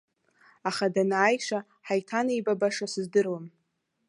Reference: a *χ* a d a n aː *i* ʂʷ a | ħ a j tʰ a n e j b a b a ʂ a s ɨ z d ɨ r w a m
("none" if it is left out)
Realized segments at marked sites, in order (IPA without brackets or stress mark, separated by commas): χ, j